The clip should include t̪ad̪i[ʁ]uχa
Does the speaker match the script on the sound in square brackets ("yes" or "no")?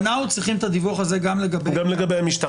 no